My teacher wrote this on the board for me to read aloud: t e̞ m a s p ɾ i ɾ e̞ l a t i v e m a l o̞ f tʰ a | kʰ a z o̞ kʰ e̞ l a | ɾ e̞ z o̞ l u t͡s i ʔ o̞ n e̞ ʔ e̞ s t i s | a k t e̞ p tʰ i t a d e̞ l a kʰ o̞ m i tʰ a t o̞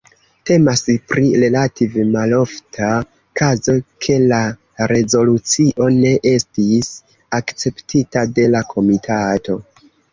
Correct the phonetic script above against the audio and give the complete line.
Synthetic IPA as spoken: t e̞ m a s p ɾ i ɾ e̞ l a t i v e m a l o̞ f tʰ a | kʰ a z o̞ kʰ e̞ l a | ɾ e̞ z o̞ l u t͡s i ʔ o̞ n e̞ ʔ e̞ s t i s | a k t͡s e̞ p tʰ i t a d e̞ l a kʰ o̞ m i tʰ a t o̞